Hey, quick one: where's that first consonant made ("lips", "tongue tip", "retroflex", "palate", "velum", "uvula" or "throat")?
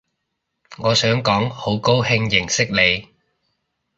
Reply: velum